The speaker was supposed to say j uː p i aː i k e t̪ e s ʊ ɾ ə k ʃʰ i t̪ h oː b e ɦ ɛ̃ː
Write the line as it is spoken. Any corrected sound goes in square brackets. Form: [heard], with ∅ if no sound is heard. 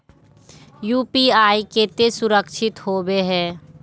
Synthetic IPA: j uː p i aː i k e t̪ e s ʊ ɾ ə k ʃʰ [ɪ] t̪ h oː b e ɦ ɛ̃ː

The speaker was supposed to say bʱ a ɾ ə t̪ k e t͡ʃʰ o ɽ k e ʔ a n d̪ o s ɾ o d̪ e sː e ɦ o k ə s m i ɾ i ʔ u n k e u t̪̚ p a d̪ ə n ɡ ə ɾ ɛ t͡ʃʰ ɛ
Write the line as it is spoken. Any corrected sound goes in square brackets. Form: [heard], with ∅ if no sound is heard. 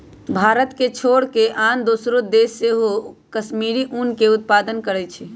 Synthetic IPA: bʱ a ɾ ə t̪ k e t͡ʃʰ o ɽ k e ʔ a n d̪ o s ɾ o d̪ e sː e ɦ o k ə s m i ɾ i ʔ u n k e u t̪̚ p a d̪ ə n [k] ə ɾ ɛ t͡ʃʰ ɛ

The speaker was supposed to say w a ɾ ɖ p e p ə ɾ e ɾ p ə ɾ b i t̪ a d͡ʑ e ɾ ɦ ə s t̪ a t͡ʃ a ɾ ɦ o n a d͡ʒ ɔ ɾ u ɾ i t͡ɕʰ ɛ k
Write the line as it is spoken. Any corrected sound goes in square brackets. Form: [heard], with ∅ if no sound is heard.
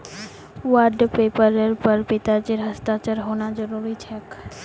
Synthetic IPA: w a ɾ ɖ p e p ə ɾ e ɾ p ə ɾ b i t̪ a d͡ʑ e ɾ ɦ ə s t̪ a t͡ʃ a ɾ ɦ o n a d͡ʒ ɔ ɾ u ɾ i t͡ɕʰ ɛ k

